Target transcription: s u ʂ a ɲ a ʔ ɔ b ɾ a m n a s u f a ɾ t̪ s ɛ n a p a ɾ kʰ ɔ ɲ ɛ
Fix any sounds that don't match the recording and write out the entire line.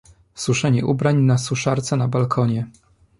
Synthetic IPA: s u ʂ ɛ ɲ ɛ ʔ u b ɾ a ɲ n a s u ʂ a ɾ t̪ s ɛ n a b a l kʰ ɔ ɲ ɛ